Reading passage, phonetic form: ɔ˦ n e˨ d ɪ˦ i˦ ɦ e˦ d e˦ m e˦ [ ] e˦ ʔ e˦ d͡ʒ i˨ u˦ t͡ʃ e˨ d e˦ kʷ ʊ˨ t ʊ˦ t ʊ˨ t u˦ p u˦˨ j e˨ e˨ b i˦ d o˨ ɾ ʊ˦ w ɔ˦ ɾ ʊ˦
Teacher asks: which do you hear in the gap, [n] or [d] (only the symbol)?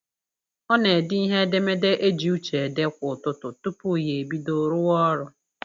d